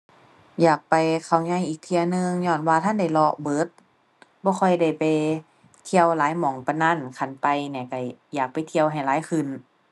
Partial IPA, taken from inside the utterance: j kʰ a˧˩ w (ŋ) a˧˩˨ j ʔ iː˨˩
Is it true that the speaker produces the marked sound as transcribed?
no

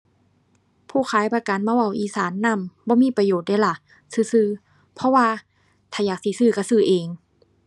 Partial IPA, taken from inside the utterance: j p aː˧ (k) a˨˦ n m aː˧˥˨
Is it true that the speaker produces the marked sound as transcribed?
yes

